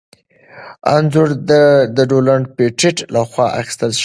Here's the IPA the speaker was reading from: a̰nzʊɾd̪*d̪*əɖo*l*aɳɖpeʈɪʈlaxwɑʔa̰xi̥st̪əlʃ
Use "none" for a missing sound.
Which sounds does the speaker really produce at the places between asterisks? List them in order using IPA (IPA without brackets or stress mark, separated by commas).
d̪, l